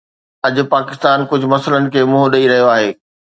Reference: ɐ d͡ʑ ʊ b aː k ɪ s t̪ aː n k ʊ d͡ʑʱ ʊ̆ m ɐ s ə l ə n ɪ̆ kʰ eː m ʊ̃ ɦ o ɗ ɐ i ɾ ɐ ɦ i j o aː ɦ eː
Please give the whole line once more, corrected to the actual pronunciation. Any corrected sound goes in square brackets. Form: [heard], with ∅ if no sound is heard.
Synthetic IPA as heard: ɐ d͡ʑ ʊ [p] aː k ɪ s t̪ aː n k ʊ d͡ʑʱ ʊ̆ m ɐ s ə l ə n ɪ̆ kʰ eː m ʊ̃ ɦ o ɗ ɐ i ɾ ɐ ɦ i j o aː ɦ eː